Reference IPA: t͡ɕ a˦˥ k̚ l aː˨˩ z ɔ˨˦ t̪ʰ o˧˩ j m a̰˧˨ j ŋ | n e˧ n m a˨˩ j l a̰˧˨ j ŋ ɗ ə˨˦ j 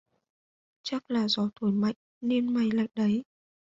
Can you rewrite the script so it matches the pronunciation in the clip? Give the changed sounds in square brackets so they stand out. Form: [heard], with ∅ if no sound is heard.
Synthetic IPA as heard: t͡ɕ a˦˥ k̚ l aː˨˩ z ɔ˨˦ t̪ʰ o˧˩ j m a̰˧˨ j ŋ | n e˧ n m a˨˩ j l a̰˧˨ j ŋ ɗ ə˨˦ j